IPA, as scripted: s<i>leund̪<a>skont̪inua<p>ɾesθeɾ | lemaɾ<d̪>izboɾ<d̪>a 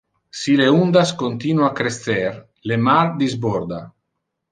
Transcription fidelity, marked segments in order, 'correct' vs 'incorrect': correct, correct, incorrect: k, correct, correct

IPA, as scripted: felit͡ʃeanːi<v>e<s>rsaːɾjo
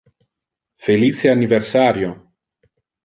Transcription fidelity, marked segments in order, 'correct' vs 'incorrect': correct, incorrect: none

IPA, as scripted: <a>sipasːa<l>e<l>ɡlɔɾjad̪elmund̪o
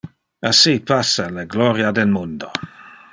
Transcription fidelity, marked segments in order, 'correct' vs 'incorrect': correct, correct, incorrect: none

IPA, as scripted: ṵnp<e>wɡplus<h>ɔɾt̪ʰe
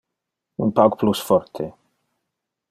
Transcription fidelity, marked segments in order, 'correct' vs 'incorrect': incorrect: a, incorrect: f

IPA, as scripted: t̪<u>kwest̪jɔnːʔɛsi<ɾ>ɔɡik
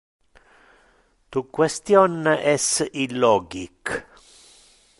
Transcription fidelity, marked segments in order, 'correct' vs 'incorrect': correct, incorrect: l

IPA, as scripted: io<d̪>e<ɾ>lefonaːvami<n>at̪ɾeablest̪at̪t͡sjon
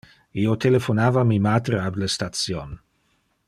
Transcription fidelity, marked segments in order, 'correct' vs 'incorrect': incorrect: t̪, incorrect: none, incorrect: m

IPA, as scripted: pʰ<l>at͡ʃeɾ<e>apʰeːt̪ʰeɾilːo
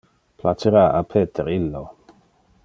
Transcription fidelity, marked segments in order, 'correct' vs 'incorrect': correct, incorrect: a

